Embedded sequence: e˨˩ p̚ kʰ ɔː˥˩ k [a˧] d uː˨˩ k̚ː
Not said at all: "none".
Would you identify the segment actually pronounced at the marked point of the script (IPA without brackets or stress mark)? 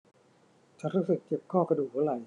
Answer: a˧